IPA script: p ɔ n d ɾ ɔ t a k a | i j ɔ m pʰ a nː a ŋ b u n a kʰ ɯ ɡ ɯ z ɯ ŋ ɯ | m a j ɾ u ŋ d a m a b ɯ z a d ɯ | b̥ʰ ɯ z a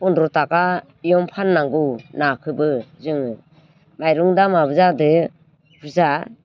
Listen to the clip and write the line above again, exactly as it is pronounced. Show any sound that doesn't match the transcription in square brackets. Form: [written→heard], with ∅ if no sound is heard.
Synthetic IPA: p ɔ n d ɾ ɔ t a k a | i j ɔ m pʰ a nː a ŋ [b→ɡ] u n a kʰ ɯ [ɡ→b] ɯ z ɯ ŋ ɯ | m a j ɾ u ŋ d a m a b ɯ z a d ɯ | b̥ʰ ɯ z a